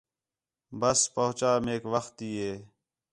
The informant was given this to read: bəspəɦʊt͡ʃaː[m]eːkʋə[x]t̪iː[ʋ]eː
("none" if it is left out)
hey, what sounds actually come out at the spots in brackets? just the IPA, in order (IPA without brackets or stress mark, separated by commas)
m, x, none